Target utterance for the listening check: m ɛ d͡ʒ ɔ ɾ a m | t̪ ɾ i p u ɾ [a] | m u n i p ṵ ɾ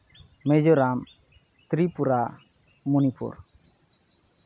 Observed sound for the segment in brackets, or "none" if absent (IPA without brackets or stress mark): a